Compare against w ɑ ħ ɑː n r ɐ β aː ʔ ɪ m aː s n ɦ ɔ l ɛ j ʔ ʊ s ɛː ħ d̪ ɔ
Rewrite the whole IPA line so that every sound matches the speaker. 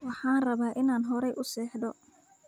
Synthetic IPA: w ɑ ħ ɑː n r ɐ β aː ʔ ɪ n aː n ɦ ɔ ɾ ɛ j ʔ ʊ s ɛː ħ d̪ ɔ